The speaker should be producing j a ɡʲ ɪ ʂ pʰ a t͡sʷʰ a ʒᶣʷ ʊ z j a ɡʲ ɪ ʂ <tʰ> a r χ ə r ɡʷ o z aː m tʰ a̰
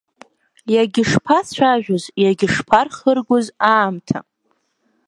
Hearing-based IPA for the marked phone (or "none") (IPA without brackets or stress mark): pʰ